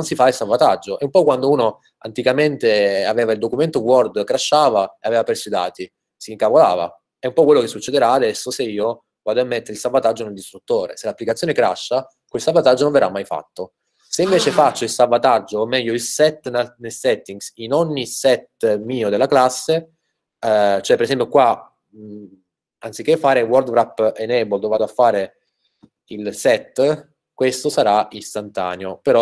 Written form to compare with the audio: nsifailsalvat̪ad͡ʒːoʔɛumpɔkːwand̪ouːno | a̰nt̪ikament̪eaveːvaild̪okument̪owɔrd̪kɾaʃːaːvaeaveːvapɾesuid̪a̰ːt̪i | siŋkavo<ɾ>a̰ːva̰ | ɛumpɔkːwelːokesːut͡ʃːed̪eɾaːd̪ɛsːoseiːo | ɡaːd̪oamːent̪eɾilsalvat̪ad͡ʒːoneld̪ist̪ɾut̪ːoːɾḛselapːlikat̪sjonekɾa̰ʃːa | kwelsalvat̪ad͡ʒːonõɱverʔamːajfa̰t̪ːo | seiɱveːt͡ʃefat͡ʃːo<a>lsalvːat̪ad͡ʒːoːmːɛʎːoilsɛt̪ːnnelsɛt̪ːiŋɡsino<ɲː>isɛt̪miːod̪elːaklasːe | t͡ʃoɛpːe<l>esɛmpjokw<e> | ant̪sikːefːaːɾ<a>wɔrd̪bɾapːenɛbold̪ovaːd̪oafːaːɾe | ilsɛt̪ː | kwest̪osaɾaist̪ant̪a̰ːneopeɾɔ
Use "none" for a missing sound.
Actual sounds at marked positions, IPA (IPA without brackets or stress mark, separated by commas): l, i, ɲː, ɾ, a, e